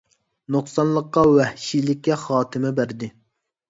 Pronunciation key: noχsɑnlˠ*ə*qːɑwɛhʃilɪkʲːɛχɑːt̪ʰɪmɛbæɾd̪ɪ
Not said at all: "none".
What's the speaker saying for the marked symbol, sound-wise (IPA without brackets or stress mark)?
ə